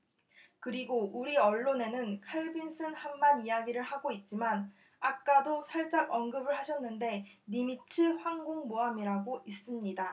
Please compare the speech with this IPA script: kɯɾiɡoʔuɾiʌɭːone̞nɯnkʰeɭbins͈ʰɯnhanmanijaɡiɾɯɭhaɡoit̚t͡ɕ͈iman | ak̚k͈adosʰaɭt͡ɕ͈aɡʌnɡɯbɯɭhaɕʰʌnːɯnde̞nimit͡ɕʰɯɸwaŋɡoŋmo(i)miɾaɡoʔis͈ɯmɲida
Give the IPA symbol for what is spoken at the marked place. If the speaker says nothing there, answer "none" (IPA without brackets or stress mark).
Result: a